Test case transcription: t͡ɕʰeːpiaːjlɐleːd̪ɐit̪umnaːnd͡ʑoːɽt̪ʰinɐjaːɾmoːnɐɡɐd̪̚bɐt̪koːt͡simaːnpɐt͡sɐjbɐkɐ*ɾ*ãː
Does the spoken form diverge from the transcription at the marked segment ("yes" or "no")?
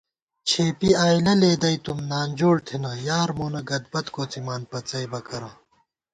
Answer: no